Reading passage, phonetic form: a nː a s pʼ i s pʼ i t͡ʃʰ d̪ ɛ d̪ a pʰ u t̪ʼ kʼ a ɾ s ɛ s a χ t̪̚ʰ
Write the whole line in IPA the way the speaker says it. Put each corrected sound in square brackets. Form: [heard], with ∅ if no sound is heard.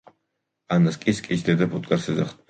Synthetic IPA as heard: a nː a s [kʼ] i s [kʼ] i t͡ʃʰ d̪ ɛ d̪ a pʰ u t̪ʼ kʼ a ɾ s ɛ [z] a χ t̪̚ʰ